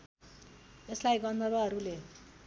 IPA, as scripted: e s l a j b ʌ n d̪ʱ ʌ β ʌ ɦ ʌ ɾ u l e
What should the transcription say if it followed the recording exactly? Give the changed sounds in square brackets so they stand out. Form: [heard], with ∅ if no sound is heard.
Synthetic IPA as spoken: e s l a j [ɡ] ʌ n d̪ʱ ʌ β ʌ ɦ ʌ ɾ u l e